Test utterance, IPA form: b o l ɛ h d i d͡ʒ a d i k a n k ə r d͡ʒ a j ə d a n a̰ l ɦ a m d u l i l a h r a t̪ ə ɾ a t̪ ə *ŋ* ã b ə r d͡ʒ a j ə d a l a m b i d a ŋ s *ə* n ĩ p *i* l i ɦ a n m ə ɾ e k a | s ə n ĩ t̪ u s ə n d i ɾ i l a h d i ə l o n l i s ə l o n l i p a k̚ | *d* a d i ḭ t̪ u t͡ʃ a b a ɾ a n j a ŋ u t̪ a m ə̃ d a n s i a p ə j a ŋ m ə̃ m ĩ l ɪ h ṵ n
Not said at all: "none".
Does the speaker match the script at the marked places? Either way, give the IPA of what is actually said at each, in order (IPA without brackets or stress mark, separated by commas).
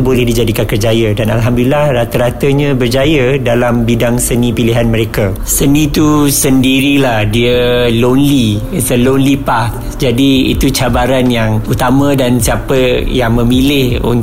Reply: ɲ, ə, i, d͡ʒ